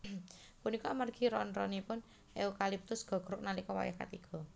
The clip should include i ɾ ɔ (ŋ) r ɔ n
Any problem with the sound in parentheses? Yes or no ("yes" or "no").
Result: yes